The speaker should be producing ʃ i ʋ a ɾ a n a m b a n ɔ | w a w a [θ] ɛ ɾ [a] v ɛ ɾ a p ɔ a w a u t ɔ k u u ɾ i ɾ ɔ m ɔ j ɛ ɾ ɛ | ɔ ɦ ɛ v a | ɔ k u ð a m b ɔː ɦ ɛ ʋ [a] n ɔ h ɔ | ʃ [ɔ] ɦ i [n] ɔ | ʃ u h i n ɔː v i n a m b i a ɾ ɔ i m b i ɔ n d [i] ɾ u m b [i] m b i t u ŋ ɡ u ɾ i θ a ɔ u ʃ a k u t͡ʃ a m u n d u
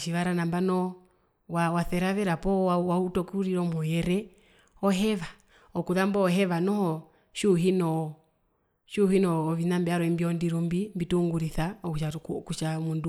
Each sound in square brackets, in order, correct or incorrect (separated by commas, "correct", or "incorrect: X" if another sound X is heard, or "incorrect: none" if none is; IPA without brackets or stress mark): correct, correct, correct, incorrect: u, correct, correct, correct